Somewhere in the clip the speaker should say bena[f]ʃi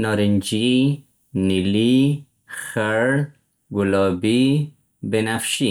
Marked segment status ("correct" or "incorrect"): correct